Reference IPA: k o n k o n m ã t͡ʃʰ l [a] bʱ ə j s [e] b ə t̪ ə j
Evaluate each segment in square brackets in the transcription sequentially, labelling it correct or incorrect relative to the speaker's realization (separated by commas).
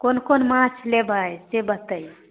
incorrect, correct